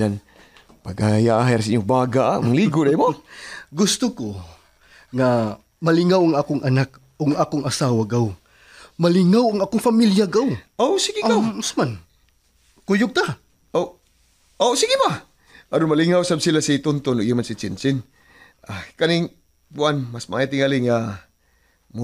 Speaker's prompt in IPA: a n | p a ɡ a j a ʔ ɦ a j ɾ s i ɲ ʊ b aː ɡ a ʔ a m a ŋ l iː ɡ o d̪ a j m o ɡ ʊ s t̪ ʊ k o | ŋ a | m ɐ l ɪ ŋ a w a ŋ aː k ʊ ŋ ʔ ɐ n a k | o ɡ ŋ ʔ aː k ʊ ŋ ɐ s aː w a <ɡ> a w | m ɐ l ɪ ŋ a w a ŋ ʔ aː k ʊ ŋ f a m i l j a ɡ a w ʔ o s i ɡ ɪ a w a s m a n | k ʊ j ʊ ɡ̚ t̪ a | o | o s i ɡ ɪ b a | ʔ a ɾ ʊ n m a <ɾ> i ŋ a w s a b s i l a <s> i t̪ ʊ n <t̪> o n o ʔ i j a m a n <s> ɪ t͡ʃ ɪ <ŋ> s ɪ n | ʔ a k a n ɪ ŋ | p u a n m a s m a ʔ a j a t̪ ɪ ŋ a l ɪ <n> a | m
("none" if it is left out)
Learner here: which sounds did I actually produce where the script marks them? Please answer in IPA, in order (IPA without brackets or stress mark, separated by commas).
ɡ, l, s, t̪, s, n, ŋ